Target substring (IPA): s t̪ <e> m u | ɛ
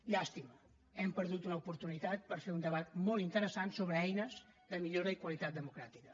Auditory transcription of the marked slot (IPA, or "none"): i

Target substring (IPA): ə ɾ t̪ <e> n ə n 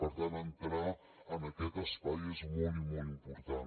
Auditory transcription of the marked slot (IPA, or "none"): a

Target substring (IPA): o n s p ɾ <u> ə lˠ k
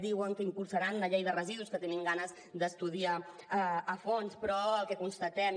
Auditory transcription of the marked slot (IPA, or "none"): ɔ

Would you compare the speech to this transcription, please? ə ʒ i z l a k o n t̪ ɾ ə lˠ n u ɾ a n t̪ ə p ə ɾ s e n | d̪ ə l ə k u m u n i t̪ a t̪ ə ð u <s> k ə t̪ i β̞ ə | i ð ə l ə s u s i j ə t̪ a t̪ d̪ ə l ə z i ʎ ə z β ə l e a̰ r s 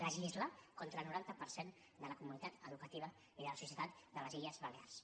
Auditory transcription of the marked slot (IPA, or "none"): none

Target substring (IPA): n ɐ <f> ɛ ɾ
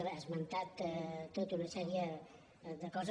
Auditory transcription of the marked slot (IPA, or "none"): s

